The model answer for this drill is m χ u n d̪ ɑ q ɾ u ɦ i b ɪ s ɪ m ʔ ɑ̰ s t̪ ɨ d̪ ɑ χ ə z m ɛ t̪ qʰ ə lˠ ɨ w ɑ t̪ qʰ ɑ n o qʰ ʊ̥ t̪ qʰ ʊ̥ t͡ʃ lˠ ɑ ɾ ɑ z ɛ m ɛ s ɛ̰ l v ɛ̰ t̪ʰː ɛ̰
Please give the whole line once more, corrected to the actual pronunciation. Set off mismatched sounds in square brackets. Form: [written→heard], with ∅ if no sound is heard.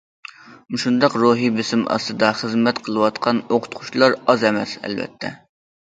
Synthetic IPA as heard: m [χ→ʃ] u n d̪ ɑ q ɾ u ɦ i b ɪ s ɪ m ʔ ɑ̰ s t̪ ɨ d̪ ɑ χ ə z m ɛ t̪ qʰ ə lˠ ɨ w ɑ t̪ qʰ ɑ n o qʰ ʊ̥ t̪ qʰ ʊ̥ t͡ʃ lˠ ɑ ɾ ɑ z ɛ m ɛ s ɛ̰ l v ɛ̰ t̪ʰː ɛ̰